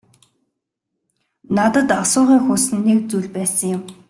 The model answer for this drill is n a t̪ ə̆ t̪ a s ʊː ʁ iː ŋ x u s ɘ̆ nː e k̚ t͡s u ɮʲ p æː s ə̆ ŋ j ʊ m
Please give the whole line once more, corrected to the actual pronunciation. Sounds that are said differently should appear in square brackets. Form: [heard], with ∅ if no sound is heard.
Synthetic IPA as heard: n a t̪ ə̆ t̪ a s ʊː ʁ iː ŋ x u s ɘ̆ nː e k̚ t͡s u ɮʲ p æː s ə̆ ŋ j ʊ m